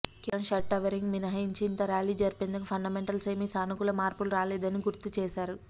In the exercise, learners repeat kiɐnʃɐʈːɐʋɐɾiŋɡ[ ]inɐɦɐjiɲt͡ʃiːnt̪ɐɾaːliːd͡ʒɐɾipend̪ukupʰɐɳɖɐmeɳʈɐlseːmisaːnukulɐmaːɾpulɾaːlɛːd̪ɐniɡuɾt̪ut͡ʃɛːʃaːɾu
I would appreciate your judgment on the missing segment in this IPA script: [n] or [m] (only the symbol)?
m